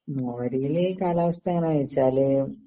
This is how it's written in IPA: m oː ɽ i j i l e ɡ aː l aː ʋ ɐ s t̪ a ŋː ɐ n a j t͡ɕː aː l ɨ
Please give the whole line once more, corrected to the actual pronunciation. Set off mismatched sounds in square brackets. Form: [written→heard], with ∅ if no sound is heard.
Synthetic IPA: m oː [ɽ→ɾ] i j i l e [ɡ→k] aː l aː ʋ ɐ s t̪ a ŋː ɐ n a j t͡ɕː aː l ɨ

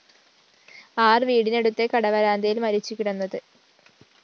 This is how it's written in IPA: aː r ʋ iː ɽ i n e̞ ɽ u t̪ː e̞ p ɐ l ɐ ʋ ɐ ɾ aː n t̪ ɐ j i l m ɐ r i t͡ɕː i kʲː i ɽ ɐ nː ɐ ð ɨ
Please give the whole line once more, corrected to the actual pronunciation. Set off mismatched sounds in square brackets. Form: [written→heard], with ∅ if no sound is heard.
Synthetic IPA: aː r ʋ iː ɽ i n e̞ ɽ u t̪ː e̞ [p→k] ɐ [l→ɽ] ɐ ʋ ɐ ɾ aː n [t̪→d̪] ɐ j i l m ɐ [r→ɾ] i t͡ɕː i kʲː i ɽ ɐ nː ɐ ð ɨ

